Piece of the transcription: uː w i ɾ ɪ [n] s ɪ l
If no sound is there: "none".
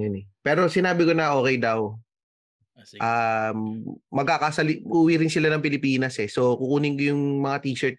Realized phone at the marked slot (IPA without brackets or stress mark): n